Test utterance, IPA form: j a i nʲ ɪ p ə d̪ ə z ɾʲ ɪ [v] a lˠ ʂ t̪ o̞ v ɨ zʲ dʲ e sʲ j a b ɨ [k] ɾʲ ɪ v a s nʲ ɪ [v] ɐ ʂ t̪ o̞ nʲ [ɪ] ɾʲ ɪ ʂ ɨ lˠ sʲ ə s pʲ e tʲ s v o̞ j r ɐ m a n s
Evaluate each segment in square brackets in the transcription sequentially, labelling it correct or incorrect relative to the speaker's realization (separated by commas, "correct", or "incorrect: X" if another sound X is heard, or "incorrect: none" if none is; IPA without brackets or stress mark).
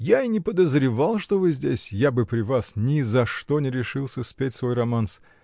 correct, incorrect: p, incorrect: z, correct